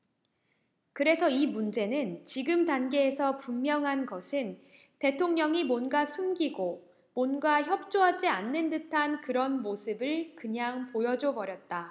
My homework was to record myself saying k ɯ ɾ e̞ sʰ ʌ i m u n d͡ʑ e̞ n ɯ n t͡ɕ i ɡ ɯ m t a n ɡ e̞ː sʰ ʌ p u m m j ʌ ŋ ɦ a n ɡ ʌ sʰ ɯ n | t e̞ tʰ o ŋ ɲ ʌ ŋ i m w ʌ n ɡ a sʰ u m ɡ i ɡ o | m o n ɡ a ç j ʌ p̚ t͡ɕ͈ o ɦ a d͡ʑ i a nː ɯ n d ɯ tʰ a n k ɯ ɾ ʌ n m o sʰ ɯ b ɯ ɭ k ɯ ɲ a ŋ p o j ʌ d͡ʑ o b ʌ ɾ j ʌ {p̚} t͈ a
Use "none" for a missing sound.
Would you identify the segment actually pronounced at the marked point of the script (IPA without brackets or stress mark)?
t̚